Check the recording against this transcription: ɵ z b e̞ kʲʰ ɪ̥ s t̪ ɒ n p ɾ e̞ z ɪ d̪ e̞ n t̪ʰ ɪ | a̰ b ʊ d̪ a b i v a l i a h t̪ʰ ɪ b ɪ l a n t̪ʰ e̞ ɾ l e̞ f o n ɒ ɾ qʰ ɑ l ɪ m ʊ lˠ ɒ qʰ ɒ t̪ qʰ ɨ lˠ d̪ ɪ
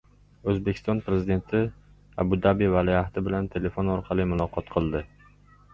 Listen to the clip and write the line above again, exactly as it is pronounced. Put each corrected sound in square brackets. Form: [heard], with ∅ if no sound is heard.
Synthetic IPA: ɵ z b e̞ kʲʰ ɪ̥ s t̪ ɒ n p ɾ e̞ z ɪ d̪ e̞ n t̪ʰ ɪ | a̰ b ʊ d̪ a b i v a l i a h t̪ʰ ɪ b ɪ l a n t̪ʰ e̞ [∅] l e̞ f o n ɒ ɾ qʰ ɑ l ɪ m ʊ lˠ ɒ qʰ ɒ t̪ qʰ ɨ lˠ d̪ ɪ

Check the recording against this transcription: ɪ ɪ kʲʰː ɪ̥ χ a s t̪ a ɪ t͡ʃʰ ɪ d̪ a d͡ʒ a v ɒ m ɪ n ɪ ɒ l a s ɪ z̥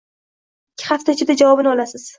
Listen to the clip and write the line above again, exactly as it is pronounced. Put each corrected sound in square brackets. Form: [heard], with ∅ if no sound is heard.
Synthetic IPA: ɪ ɪ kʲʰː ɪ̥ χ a [f] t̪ a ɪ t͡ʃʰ ɪ d̪ a d͡ʒ a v ɒ [b] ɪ n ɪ ɒ l a s ɪ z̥

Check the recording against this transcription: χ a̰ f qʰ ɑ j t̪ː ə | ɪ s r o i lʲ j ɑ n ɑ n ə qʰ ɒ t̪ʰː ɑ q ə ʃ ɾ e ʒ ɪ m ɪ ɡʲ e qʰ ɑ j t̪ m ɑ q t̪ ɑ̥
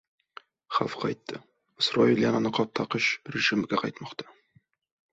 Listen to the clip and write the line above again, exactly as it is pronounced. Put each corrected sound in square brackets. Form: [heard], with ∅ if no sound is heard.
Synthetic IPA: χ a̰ f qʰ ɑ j t̪ː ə | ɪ s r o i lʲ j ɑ n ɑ n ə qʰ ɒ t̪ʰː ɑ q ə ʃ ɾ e ʒ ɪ m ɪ ɡʲ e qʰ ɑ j t̪ m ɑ q t̪ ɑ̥

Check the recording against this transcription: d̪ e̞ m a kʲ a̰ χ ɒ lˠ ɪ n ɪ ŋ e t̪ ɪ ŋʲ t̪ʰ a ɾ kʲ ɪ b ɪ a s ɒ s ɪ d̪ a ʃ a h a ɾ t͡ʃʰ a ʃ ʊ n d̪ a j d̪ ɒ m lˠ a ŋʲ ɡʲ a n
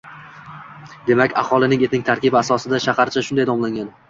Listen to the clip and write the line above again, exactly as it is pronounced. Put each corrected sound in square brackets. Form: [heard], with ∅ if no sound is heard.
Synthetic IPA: d̪ e̞ m a kʲ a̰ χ ɒ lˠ ɪ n ɪ ŋ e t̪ ɪ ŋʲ t̪ʰ a ɾ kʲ ɪ b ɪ a s ɒ s ɪ d̪ a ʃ a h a ɾ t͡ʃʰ a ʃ ʊ n d̪ a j d̪ ɒ m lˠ a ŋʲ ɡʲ a n

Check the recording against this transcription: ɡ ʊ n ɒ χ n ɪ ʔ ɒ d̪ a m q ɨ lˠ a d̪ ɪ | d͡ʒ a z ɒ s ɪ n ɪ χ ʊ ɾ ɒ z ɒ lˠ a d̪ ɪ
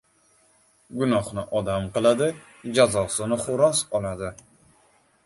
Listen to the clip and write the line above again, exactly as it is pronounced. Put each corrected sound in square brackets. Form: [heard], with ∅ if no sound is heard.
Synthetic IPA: ɡ ʊ n ɒ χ n ɪ ʔ ɒ d̪ a m q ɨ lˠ a d̪ ɪ | d͡ʒ a z ɒ s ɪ n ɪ χ ʊ ɾ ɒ [s] ɒ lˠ a d̪ ɪ

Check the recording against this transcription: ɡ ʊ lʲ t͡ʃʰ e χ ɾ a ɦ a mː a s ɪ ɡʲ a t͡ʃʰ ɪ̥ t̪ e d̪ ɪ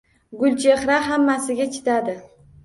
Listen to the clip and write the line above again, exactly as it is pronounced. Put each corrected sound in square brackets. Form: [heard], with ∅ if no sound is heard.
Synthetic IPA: ɡ ʊ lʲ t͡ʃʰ e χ ɾ a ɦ a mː a s ɪ ɡʲ a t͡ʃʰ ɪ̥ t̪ [a] d̪ ɪ

